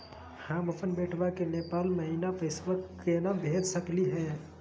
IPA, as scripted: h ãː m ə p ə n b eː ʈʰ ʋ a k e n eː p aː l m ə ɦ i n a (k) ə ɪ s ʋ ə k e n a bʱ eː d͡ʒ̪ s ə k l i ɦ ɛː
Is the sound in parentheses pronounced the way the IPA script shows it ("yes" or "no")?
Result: no